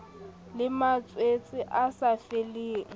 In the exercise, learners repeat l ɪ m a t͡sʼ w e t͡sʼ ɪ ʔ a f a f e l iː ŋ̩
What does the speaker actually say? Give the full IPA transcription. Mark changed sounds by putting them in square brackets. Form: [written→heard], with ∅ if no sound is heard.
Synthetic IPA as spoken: l ɪ m a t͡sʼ w e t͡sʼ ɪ ʔ a [f→s] a f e l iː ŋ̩